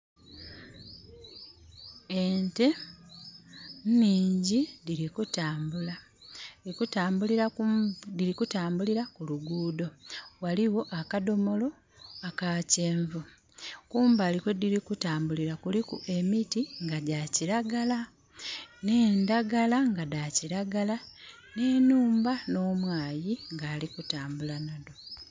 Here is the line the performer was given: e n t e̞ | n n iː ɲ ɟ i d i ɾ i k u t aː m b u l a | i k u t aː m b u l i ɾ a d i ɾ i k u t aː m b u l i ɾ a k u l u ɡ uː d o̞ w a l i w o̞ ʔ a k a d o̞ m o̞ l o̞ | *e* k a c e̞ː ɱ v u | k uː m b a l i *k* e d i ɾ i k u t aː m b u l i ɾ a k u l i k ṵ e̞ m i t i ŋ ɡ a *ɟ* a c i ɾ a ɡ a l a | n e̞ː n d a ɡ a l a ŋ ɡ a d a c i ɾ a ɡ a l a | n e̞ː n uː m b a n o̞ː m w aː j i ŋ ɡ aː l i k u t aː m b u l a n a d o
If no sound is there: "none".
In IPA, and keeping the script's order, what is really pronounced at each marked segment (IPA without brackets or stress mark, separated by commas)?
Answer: a, k, ɟ